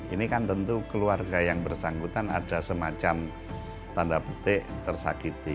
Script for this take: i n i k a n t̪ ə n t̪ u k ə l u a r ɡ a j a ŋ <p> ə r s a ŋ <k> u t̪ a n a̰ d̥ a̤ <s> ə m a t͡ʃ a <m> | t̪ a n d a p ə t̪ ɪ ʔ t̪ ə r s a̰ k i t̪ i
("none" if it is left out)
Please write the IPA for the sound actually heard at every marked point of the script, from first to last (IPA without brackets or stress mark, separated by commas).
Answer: b, ɡ, s, m